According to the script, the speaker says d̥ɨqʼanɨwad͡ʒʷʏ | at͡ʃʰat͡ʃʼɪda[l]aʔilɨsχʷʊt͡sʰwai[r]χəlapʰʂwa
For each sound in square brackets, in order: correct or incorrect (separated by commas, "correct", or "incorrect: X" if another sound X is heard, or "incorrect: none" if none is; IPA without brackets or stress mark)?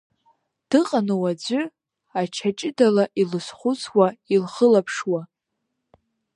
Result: correct, incorrect: l